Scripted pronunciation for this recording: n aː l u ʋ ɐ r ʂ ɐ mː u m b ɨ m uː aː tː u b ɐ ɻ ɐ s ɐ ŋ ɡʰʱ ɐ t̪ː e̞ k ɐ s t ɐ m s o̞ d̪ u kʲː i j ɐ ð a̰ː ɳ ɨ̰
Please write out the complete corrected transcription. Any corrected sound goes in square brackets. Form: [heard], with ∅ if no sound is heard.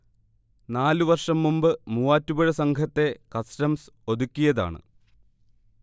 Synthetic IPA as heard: n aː l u ʋ ɐ r ʂ ɐ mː u m b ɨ m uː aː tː u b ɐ ɻ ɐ s ɐ ŋ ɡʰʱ ɐ t̪ː e̞ k ɐ s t ɐ m s o̞ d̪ u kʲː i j ɐ ð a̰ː ɳ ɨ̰